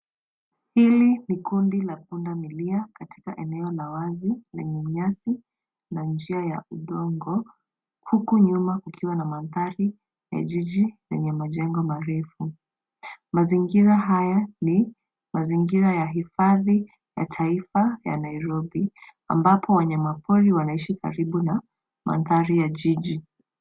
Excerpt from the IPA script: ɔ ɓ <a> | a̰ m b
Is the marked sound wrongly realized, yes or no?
yes